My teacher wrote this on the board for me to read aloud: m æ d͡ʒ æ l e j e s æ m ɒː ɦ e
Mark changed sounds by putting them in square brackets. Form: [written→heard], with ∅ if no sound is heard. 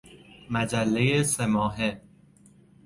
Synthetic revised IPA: m æ d͡ʒ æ [l→lː] e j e s [æ→e] m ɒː ɦ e

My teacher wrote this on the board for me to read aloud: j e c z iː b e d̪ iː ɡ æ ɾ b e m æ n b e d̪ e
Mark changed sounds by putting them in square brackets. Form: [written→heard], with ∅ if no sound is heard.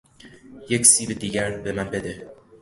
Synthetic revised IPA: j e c [z→s] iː b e d̪ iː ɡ æ ɾ b e m æ n b e d̪ e

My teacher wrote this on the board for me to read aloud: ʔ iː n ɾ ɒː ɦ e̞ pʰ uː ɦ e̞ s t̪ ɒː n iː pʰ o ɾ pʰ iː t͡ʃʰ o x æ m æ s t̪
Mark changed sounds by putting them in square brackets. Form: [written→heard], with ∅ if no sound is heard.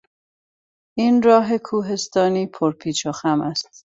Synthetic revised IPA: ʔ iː n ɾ ɒː ɦ e̞ [pʰ→kʰ] uː ɦ e̞ s t̪ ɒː n iː pʰ o ɾ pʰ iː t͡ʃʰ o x æ m æ s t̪

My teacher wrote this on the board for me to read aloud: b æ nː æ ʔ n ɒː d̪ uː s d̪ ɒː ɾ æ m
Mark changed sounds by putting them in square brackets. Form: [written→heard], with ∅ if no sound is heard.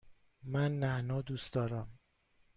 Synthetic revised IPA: [b→m] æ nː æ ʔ n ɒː d̪ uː s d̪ ɒː ɾ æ m

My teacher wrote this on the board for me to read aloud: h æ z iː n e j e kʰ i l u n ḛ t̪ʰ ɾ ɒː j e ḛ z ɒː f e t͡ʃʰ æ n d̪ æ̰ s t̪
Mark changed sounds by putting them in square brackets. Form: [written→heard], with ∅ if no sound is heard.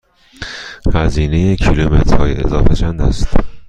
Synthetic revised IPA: h æ z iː n e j e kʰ i l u [n→m] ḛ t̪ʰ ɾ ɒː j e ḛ z ɒː f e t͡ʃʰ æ n d̪ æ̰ s t̪

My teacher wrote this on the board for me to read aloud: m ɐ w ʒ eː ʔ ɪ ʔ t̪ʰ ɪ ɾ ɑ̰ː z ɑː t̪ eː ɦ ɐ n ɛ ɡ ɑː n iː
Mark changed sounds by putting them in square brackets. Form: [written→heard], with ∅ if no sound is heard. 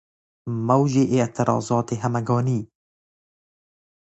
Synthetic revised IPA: m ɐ w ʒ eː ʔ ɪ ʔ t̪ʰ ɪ ɾ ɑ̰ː z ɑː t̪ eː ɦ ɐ [n→m] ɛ ɡ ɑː n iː

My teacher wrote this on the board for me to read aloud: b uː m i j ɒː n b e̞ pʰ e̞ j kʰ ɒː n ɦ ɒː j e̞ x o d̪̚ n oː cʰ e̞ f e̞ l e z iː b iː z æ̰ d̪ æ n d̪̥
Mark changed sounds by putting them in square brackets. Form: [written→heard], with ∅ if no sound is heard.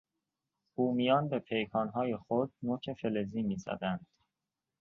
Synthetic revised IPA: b uː m i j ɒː n b e̞ pʰ e̞ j kʰ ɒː n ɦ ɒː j e̞ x o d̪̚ n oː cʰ e̞ f e̞ l e z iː [b→m] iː z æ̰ d̪ æ n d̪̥

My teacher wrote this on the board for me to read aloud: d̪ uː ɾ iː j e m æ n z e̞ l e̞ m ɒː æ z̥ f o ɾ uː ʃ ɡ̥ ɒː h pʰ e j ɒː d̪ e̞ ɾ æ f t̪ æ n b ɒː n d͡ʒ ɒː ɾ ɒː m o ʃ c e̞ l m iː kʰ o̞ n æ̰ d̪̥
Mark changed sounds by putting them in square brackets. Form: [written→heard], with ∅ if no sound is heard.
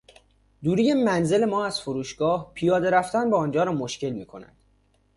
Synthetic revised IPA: d̪ uː ɾ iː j e m æ n z e̞ l e̞ m ɒː æ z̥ f o ɾ uː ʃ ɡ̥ ɒː h pʰ [e→i] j ɒː d̪ e̞ ɾ æ f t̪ æ n b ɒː n d͡ʒ ɒː ɾ ɒː m o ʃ c e̞ l m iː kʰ o̞ n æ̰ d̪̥

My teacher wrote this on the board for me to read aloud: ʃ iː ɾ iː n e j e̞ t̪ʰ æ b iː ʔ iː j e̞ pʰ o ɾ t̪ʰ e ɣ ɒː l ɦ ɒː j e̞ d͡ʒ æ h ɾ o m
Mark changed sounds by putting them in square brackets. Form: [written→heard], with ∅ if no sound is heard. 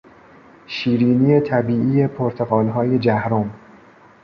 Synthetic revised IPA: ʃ iː ɾ iː n [e→i] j e̞ t̪ʰ æ b iː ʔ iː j e̞ pʰ o ɾ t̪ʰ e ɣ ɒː l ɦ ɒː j e̞ d͡ʒ æ h ɾ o m

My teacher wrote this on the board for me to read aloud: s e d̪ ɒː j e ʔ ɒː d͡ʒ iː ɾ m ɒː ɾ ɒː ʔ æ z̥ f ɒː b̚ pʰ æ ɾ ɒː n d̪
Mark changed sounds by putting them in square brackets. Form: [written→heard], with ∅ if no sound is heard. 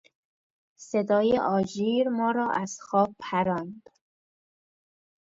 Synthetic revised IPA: s e d̪ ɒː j e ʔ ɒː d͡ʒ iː ɾ m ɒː ɾ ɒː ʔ æ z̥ [f→x] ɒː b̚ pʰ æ ɾ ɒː n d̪

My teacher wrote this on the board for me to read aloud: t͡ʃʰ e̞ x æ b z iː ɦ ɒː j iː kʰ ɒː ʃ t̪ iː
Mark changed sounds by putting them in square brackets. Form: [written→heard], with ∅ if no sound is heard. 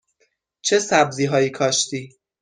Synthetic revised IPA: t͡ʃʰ e̞ [x→s] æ b z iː ɦ ɒː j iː kʰ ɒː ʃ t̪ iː

